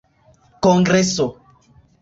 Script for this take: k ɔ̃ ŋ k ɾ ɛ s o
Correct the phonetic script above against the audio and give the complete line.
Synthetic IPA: k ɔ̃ ŋ ɡ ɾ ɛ s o